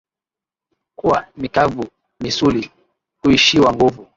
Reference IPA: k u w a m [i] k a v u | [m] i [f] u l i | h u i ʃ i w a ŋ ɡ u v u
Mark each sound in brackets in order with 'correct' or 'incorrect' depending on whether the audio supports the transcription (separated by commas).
correct, correct, incorrect